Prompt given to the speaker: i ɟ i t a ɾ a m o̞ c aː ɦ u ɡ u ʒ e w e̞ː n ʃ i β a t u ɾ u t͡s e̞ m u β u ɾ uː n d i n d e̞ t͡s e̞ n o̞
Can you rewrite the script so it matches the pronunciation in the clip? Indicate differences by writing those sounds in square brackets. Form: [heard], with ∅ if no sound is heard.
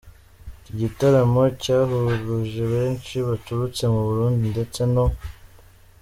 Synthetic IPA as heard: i ɟ i t a ɾ a m o̞ c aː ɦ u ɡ u ʒ e [β] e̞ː n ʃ i β a t u ɾ u t͡s e̞ m u β u ɾ uː n d i n d e̞ t͡s e̞ n o̞